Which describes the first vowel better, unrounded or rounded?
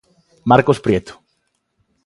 unrounded